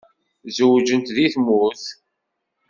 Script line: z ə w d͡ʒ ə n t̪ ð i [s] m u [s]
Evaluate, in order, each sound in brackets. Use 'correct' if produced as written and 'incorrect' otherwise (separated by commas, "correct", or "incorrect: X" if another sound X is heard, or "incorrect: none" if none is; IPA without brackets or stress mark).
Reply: incorrect: θ, incorrect: θ